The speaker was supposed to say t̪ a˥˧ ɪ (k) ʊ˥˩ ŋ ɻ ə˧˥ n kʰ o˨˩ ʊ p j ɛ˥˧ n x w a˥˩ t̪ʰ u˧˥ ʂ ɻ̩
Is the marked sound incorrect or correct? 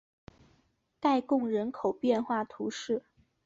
correct